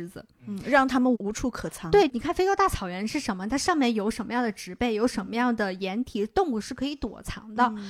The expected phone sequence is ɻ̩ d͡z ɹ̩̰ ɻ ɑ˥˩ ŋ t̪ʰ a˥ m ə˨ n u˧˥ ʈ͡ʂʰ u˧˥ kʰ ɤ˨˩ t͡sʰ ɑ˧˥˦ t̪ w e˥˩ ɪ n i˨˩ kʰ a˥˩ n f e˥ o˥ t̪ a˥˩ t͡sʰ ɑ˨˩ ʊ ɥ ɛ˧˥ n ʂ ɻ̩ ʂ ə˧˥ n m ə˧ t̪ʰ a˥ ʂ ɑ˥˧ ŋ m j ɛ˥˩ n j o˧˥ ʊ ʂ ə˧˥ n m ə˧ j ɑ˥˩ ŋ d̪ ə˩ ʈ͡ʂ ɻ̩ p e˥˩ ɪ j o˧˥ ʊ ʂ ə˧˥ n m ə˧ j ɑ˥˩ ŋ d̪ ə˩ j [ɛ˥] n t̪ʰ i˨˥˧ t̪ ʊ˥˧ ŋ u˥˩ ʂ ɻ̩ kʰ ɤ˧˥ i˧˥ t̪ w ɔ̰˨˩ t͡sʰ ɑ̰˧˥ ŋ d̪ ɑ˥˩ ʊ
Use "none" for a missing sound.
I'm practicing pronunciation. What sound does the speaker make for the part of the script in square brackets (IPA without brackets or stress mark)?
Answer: ɛ˧˥